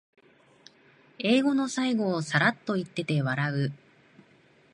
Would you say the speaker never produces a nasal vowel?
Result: yes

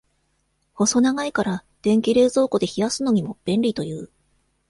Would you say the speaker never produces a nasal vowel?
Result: no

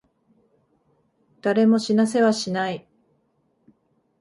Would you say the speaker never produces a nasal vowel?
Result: yes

